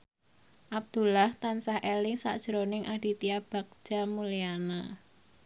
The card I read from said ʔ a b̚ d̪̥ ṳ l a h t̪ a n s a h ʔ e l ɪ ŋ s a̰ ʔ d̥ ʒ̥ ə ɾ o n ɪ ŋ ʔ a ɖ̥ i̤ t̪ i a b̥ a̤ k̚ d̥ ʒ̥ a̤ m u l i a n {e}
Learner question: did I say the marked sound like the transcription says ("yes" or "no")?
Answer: no